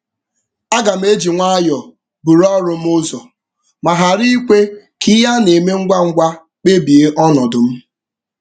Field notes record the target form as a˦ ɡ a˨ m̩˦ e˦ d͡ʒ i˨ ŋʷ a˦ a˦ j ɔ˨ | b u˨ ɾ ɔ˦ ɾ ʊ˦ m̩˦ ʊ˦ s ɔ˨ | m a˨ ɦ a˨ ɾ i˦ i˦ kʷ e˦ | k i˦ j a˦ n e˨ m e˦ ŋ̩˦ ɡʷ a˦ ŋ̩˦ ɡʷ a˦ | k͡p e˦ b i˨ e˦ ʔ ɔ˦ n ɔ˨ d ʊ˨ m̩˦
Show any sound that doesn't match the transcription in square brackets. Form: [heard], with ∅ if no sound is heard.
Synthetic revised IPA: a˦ ɡ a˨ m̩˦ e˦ d͡ʒ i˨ ŋʷ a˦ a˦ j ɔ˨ | b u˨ ɾ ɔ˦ ɾ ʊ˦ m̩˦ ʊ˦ [z] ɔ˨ | m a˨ ɦ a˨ ɾ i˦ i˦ kʷ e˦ | k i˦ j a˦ n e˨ m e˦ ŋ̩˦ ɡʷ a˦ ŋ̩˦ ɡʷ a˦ | k͡p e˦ b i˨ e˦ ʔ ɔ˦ n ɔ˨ d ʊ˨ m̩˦

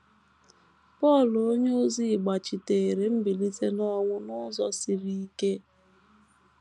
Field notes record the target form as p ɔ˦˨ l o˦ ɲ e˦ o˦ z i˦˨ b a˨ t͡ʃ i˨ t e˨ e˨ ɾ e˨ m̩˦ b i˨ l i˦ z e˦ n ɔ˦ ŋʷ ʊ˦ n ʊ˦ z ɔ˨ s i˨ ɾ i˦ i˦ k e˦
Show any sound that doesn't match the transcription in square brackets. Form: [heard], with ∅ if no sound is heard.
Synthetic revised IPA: p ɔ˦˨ l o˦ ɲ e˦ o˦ z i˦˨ [ɡ͡b] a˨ t͡ʃ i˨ t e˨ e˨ ɾ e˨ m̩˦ b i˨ l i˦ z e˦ n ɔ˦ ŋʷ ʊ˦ n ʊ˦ z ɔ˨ s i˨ ɾ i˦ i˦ k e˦

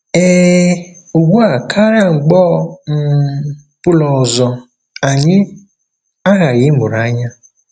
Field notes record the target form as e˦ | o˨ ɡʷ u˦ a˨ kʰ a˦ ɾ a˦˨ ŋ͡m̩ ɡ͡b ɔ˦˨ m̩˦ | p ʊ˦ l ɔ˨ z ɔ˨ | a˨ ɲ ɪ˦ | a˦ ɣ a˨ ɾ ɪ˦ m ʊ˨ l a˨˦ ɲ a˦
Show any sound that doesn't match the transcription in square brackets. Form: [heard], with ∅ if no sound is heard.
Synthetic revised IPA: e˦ | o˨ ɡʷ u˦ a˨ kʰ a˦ ɾ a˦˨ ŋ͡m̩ ɡ͡b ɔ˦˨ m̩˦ | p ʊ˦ l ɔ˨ z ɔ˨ | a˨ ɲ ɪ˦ | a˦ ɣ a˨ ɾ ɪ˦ m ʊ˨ [ɾ] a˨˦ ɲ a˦

